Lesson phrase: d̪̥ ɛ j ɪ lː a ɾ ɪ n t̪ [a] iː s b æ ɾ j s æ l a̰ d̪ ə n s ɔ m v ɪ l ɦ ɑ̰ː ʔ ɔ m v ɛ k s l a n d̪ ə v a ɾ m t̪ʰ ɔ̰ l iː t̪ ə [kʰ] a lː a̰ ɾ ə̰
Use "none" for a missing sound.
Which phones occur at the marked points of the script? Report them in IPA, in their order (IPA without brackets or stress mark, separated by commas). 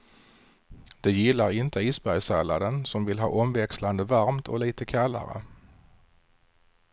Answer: ə, kʰ